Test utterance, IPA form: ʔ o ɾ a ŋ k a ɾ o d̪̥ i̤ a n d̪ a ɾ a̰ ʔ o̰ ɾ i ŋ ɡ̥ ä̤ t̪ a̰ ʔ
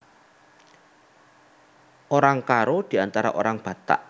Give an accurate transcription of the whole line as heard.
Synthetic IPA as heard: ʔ o ɾ a ŋ k a ɾ o d̪̥ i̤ a n t̪ a ɾ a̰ ʔ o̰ ɾ a ŋ b̥ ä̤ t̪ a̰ ʔ